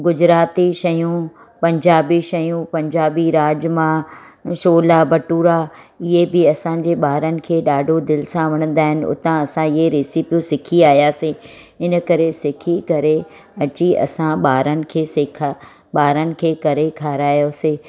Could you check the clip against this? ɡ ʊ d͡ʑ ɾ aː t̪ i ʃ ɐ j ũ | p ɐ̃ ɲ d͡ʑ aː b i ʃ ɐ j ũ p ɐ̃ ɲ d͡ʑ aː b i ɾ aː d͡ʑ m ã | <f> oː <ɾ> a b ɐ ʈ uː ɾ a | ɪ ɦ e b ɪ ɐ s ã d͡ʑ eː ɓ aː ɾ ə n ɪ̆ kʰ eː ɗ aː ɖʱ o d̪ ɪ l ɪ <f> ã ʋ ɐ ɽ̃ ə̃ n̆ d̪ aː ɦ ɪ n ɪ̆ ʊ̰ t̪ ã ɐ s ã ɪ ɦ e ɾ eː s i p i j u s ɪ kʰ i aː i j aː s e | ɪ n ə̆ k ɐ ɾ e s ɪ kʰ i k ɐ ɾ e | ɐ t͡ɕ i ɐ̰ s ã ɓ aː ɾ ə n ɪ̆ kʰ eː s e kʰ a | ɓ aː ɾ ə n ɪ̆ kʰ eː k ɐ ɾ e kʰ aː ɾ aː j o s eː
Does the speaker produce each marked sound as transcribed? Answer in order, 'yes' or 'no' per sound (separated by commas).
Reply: no, no, no